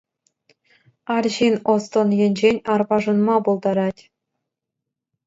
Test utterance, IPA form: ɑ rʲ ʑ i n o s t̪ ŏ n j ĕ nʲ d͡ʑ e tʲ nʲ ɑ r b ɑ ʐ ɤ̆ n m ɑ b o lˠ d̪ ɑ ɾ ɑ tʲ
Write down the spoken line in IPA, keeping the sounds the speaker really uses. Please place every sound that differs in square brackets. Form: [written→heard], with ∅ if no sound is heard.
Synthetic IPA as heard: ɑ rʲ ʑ i n o s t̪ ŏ n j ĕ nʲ d͡ʑ e [tʲ→∅] nʲ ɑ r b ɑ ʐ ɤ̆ n m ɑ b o lˠ d̪ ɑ ɾ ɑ tʲ